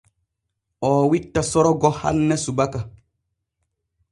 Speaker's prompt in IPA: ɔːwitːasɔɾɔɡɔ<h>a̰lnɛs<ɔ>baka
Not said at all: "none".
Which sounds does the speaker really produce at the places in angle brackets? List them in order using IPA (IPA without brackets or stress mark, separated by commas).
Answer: h, u